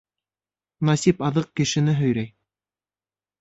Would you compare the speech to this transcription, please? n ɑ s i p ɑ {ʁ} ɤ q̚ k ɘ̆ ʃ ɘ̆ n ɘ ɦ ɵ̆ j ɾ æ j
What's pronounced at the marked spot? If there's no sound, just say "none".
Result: ð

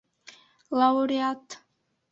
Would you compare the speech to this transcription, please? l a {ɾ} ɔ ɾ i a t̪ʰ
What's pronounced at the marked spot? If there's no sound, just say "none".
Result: none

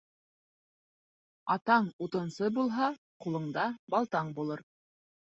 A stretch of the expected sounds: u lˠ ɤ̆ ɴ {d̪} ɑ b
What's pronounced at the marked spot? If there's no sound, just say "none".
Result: d̪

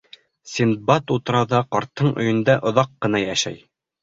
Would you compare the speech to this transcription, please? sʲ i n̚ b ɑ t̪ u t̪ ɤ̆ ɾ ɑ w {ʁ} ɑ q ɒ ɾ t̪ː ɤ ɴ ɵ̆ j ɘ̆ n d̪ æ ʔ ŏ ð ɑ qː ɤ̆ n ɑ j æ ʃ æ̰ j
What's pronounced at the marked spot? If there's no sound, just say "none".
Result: ð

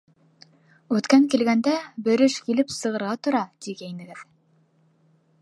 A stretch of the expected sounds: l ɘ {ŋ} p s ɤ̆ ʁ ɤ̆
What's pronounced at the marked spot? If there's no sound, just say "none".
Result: none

